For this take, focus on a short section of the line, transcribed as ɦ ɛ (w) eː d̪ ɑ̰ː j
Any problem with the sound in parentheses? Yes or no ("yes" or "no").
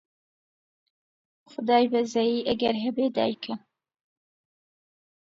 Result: yes